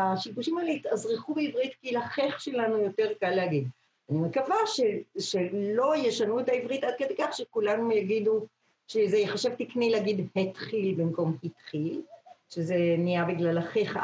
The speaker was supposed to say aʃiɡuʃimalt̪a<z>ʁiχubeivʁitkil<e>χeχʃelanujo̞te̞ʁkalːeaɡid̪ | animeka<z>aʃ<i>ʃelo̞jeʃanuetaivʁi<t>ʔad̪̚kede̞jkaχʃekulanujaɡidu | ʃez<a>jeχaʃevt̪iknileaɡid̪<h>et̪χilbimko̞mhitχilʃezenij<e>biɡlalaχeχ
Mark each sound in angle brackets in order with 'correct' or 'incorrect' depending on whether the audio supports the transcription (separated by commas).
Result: correct, incorrect, incorrect, incorrect, correct, incorrect, correct, incorrect